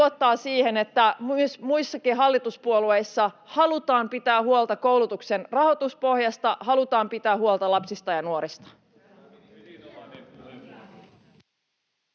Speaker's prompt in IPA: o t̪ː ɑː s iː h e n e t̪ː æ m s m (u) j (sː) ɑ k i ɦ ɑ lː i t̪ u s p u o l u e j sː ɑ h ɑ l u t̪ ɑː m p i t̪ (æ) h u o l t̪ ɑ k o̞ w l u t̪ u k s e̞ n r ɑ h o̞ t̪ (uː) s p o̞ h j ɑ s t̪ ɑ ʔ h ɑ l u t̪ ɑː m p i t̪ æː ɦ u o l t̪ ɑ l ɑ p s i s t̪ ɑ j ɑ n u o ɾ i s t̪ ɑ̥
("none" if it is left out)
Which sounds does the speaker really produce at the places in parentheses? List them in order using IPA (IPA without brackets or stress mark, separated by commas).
u, sː, æː, u